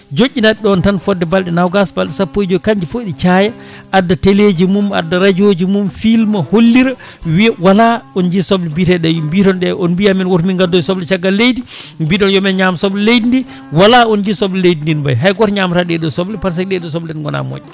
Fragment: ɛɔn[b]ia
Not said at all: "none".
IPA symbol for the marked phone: b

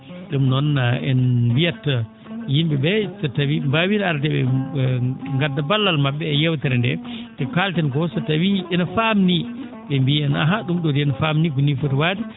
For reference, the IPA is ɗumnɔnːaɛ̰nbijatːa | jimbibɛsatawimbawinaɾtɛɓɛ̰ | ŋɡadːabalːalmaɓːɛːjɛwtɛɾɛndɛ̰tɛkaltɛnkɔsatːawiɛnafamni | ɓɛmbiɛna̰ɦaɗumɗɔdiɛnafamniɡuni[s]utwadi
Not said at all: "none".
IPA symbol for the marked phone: f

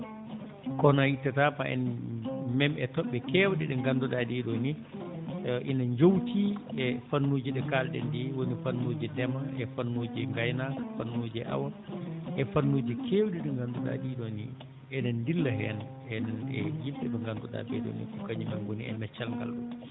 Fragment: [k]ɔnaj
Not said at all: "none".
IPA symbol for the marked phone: k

